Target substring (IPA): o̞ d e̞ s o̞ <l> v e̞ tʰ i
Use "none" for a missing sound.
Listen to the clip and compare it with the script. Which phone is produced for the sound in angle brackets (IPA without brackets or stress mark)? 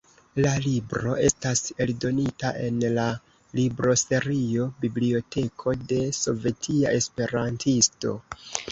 none